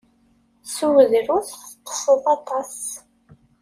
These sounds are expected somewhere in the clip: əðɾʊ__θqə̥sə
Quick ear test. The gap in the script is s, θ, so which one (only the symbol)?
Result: θ